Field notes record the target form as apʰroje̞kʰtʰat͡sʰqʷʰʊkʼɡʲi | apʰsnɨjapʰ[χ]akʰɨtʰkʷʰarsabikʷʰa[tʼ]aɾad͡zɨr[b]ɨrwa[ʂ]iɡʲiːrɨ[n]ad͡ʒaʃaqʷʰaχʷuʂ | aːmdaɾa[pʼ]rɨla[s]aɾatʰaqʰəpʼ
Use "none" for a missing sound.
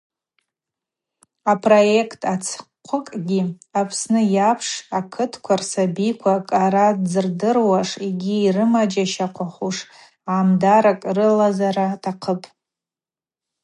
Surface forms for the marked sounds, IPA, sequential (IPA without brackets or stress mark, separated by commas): ʂ, kʼ, d, ʂ, m, kʼ, z